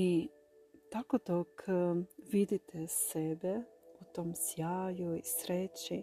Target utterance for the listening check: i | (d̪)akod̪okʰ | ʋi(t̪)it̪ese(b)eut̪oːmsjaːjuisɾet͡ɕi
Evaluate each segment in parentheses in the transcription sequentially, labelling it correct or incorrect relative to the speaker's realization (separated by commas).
incorrect, incorrect, correct